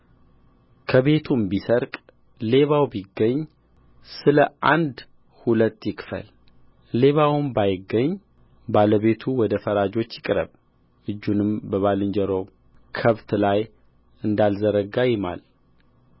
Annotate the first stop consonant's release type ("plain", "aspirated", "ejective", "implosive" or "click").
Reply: aspirated